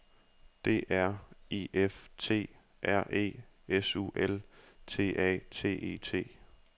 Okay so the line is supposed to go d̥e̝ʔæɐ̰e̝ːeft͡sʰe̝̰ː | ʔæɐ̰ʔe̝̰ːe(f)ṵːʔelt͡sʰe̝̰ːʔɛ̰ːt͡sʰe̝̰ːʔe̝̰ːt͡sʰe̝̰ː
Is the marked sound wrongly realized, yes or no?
yes